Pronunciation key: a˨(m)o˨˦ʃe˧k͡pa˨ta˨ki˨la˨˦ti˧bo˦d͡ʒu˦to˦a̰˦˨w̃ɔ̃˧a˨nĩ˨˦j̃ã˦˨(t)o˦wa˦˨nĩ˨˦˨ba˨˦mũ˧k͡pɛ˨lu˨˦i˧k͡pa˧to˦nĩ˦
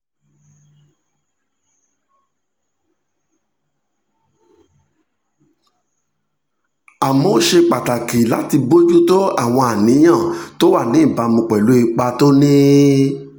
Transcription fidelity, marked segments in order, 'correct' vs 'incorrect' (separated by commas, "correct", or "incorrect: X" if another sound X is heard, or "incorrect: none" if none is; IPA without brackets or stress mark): correct, correct